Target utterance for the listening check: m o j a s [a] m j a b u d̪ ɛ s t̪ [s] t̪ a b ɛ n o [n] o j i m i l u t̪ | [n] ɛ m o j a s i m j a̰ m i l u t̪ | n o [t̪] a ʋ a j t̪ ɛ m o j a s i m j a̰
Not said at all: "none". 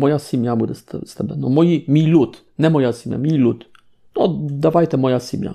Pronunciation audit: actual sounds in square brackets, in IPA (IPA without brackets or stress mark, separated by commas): i, s, m, n, d̪